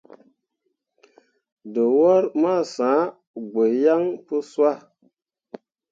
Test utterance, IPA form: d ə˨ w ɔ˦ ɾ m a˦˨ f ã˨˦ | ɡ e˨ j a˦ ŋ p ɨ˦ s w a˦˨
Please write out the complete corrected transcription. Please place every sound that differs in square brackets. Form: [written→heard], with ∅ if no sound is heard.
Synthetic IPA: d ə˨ w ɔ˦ ɾ m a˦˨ [f→s] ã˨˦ | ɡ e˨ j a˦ ŋ p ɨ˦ s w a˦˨